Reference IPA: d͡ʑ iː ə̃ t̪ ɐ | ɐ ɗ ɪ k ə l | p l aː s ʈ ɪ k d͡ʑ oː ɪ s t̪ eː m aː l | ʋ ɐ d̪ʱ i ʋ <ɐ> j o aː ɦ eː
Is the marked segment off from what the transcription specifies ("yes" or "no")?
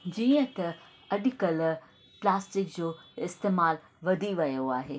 no